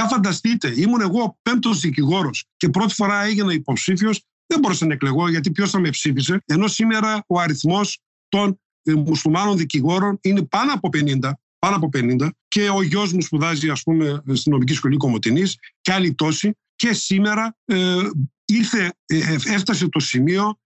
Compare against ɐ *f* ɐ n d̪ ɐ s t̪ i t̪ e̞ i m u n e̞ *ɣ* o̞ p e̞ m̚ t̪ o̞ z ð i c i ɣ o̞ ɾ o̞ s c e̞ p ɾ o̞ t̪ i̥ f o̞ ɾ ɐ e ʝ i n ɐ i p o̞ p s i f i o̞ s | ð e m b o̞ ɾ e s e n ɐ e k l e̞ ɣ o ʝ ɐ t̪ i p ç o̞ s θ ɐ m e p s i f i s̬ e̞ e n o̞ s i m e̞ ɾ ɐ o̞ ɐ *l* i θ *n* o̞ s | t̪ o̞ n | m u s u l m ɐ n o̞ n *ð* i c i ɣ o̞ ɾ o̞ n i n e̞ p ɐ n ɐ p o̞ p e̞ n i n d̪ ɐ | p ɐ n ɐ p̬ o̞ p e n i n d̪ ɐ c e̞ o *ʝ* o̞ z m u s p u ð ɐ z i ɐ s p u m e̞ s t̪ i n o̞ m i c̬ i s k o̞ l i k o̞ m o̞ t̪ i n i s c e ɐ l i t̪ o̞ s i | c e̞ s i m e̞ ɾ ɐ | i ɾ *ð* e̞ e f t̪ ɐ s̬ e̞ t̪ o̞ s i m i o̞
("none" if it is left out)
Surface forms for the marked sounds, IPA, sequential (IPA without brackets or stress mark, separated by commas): f, ɣ, ɾ, m, ð, ʝ, θ